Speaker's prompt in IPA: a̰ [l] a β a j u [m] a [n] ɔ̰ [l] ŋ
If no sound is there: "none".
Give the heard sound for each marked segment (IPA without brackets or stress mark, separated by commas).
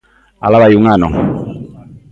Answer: l, ŋ, n, none